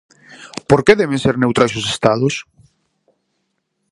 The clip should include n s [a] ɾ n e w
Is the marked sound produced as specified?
no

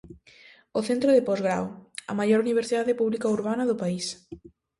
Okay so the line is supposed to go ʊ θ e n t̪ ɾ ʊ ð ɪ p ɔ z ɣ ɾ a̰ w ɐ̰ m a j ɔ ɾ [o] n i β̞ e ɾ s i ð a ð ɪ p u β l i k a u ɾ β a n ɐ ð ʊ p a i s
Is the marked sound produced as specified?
no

